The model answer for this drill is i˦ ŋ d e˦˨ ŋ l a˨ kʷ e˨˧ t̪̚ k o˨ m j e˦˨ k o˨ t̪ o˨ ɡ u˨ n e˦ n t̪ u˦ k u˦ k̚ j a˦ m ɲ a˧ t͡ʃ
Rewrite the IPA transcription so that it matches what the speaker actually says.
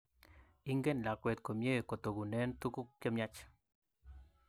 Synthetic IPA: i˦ ŋ ɡ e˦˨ n l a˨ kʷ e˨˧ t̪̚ k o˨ m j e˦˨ k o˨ t̪ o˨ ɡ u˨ n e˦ n t̪ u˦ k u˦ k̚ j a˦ m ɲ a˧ t͡ʃ